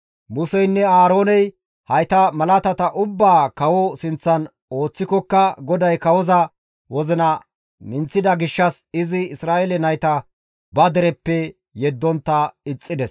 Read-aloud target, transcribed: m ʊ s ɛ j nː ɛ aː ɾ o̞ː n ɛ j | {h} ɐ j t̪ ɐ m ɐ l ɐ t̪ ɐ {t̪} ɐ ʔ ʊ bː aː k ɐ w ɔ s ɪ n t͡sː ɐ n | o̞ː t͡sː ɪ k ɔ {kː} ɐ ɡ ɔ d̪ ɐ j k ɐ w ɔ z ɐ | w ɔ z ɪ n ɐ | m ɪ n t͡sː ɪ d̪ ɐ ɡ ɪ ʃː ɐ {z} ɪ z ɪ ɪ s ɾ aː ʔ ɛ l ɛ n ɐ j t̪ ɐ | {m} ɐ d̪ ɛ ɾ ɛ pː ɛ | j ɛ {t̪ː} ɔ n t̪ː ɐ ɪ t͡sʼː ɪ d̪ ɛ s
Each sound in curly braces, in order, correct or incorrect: correct, correct, correct, incorrect: s, incorrect: b, incorrect: d̪ː

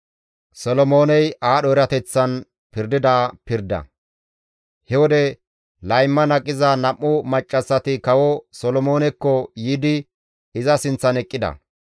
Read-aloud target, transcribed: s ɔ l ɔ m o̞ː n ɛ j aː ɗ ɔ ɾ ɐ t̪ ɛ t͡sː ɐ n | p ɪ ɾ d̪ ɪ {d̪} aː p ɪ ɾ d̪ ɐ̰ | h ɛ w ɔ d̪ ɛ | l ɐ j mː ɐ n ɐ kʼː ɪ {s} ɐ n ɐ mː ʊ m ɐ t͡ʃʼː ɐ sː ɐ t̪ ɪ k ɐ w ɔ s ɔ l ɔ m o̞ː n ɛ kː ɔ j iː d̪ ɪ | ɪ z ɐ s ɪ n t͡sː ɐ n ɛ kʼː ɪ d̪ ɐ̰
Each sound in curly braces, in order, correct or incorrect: correct, incorrect: z

